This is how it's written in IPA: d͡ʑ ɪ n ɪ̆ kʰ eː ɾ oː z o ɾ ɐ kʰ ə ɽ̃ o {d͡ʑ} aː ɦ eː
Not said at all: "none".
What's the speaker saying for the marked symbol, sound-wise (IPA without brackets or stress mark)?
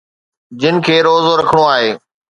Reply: none